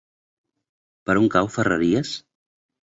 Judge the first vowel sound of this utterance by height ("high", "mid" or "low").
mid